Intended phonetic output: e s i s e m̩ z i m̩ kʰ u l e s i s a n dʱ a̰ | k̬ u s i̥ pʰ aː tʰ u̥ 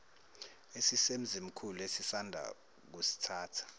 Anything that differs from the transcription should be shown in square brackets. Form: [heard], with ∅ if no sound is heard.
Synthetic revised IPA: e s i s e m̩ z i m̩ kʰ u l e s i s a n dʱ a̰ | k̬ u s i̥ [tʰ] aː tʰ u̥